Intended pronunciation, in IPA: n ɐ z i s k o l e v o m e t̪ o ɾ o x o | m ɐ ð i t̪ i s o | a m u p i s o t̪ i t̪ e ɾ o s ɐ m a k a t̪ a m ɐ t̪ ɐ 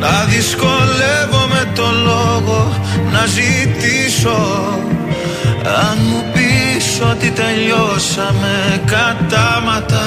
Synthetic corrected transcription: n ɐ ð i s k o l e v o m e t̪ o l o ɣ o | n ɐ z i t̪ i s o | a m u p i s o t̪ i t̪ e ʎ o s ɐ m e k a t̪ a m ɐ t̪ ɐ